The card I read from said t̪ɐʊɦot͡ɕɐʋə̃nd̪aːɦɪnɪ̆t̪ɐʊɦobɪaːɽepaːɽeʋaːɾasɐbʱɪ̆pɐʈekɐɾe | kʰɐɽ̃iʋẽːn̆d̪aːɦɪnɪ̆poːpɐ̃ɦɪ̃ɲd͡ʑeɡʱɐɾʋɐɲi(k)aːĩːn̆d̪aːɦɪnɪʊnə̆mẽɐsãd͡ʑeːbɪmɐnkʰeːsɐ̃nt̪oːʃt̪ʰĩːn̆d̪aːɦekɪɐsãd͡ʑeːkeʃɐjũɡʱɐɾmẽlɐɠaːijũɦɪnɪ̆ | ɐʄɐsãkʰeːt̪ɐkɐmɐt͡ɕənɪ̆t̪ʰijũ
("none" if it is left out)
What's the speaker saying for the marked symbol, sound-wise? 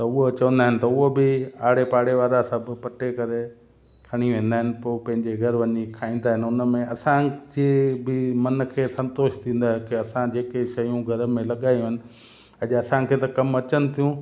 kʰ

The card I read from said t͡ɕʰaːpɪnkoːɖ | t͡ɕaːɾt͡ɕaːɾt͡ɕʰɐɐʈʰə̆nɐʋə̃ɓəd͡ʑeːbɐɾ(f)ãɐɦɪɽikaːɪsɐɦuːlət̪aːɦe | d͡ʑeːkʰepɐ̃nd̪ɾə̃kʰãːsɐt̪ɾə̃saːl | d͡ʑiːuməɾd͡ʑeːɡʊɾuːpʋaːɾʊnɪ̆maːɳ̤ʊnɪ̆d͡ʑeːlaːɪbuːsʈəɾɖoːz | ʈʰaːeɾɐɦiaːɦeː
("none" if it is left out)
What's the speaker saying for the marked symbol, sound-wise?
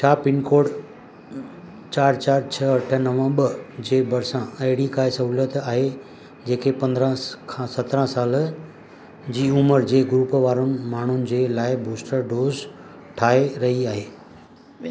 s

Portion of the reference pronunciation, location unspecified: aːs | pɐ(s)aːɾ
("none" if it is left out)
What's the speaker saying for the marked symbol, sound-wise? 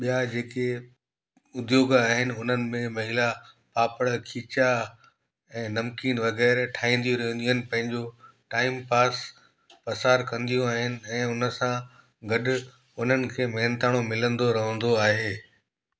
s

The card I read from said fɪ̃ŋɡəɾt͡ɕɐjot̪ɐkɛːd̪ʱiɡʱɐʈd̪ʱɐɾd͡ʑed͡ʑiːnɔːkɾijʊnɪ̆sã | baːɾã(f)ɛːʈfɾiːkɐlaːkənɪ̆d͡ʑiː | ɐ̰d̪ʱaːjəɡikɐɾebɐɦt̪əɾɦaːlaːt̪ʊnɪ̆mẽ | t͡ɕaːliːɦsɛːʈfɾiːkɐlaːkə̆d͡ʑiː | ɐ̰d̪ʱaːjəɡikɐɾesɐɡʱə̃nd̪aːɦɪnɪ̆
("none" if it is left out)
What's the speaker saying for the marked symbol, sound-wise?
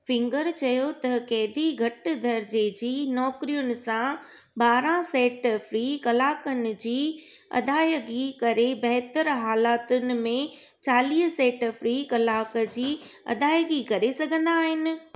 s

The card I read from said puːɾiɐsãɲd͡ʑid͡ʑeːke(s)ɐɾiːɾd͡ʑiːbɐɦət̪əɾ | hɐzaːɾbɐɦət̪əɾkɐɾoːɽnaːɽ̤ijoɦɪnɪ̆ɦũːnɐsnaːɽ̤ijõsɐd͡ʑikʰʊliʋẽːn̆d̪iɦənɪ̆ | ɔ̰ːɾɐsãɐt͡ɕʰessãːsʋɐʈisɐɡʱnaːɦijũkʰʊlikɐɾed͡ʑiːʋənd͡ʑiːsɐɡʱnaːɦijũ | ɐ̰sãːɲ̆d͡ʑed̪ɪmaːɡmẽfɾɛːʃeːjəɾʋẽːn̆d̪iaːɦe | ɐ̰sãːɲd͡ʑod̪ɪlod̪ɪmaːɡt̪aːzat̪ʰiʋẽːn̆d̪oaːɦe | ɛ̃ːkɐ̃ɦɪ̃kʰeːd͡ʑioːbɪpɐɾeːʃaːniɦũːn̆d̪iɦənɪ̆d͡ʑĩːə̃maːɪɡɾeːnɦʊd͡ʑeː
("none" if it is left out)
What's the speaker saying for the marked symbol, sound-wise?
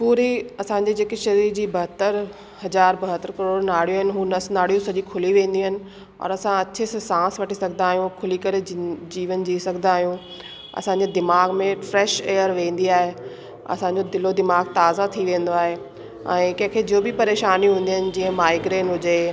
ʃ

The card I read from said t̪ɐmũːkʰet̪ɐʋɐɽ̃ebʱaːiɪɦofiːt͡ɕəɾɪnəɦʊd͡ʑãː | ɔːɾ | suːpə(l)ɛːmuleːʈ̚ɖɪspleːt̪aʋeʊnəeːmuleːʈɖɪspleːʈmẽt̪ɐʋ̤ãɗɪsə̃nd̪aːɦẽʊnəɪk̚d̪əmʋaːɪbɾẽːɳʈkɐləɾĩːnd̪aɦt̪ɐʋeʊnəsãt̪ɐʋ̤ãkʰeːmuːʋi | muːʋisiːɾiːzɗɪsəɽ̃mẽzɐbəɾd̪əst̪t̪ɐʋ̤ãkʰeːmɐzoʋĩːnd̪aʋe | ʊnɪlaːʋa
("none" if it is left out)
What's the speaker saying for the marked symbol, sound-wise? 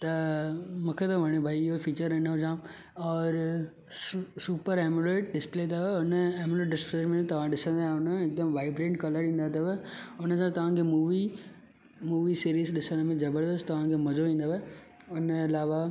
ɾ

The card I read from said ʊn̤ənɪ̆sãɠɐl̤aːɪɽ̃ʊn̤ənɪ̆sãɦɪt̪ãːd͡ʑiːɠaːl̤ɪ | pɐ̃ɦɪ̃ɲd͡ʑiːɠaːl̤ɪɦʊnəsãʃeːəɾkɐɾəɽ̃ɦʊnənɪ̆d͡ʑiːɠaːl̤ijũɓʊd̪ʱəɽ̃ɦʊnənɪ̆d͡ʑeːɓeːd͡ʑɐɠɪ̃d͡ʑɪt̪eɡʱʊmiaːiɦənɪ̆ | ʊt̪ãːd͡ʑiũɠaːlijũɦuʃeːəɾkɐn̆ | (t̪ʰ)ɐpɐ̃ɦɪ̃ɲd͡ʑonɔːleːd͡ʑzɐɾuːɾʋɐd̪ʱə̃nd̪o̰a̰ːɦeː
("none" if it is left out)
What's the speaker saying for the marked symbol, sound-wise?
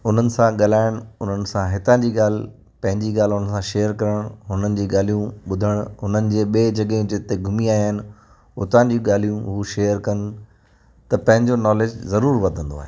t̪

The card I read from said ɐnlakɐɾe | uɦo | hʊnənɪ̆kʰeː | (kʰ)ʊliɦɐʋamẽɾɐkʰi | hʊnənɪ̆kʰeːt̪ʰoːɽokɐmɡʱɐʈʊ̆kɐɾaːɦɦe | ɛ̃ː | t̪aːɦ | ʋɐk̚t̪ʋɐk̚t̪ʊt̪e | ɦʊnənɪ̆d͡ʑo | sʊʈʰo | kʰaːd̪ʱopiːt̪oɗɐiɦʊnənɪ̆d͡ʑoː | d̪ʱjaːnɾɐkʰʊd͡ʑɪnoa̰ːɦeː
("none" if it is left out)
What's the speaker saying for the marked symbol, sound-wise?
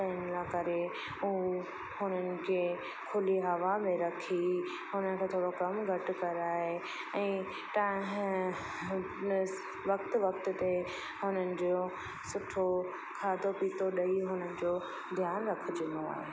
kʰ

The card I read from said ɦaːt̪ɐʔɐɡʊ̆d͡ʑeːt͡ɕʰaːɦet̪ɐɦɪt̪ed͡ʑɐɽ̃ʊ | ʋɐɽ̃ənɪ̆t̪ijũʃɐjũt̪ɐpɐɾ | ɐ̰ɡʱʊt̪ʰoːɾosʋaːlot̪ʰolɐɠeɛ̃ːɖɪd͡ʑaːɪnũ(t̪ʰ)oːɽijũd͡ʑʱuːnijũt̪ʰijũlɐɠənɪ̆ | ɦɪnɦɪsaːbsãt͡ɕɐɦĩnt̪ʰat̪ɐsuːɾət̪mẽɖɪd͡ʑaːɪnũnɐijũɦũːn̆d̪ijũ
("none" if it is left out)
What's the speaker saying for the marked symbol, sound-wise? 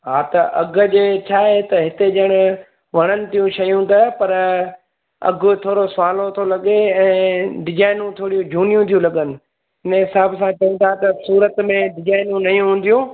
t̪ʰ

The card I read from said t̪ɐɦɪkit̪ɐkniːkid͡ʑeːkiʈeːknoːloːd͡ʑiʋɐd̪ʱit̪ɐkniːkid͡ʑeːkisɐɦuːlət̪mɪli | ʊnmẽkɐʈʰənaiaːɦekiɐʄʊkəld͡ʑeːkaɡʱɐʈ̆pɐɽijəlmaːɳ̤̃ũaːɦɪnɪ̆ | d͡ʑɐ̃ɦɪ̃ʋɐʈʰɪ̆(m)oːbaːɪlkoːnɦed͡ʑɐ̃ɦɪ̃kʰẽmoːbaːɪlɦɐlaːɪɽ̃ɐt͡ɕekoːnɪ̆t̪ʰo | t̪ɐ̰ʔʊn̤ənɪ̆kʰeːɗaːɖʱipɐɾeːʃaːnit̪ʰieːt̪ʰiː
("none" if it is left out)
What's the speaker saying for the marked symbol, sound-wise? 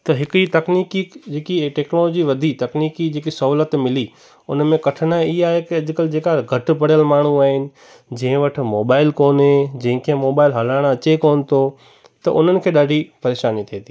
m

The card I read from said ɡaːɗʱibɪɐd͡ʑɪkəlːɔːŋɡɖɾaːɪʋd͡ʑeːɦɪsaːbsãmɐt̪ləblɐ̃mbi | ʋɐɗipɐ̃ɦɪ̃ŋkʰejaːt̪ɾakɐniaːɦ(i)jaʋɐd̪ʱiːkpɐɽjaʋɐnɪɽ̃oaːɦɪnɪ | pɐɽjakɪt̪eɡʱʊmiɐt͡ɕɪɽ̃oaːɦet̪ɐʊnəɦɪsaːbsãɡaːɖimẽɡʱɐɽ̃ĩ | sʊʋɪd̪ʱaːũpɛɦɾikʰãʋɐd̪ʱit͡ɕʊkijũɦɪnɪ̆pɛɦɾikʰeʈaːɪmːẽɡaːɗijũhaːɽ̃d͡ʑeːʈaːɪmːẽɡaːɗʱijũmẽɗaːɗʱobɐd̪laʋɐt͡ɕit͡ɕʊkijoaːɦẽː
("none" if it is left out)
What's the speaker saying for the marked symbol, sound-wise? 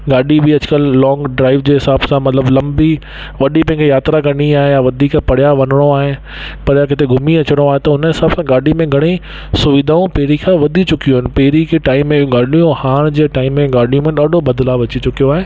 e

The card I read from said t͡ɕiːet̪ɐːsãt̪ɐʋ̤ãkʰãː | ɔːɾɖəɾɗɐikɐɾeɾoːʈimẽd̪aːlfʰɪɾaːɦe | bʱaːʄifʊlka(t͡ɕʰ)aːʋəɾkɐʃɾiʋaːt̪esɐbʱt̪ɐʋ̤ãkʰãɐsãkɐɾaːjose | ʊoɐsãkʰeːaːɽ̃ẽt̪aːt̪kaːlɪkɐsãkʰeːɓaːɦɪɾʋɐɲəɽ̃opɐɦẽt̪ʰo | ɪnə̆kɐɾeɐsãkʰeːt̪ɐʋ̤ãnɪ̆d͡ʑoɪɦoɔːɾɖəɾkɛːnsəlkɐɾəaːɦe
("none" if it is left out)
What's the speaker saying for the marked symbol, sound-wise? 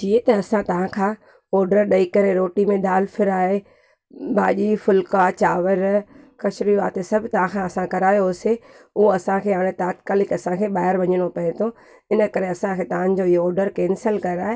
t͡ɕ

